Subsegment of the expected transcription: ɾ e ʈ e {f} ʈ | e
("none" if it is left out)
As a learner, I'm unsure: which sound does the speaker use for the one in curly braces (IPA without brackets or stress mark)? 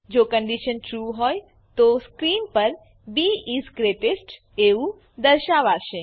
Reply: s